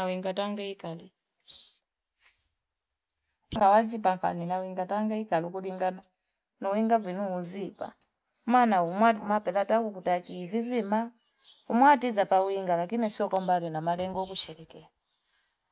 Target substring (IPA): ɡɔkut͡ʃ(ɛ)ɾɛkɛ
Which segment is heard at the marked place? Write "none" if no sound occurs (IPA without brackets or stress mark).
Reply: ɛ